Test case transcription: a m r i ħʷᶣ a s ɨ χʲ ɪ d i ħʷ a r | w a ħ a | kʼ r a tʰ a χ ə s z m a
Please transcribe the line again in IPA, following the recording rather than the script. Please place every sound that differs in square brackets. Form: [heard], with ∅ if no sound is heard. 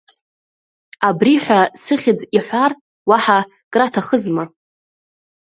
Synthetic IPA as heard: a [b] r i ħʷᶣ a s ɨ χʲ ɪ [d͡z] i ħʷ a r | w a ħ a | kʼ r a tʰ a χ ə [∅] z m a